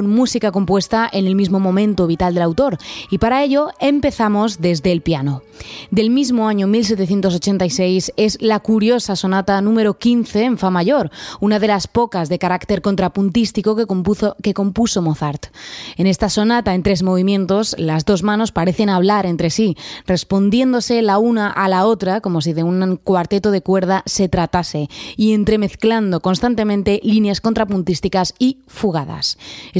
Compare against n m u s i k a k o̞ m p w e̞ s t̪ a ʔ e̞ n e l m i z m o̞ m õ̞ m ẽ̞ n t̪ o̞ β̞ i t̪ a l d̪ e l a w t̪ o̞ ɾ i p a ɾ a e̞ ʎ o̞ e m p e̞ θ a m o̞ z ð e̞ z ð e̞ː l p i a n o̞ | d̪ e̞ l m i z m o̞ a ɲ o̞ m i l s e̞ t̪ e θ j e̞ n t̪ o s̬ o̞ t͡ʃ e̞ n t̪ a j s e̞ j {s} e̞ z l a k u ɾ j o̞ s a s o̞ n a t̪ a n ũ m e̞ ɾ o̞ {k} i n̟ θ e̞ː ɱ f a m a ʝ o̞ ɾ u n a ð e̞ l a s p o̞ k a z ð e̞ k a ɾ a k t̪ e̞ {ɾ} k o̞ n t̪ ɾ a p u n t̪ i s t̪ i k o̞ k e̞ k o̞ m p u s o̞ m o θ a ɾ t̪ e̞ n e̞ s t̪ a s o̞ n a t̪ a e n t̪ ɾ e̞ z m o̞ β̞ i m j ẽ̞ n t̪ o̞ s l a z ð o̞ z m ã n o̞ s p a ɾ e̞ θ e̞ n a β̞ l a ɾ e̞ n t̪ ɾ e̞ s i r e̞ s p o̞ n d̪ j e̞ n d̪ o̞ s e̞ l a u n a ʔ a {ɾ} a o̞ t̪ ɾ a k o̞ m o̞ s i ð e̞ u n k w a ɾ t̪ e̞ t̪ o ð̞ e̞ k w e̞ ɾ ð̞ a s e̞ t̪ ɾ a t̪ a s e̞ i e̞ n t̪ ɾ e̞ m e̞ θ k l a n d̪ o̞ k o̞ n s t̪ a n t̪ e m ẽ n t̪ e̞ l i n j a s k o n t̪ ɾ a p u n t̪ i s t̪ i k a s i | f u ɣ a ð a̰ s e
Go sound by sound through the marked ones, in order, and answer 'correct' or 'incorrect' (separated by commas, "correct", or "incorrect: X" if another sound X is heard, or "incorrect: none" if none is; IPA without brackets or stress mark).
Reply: correct, correct, correct, incorrect: l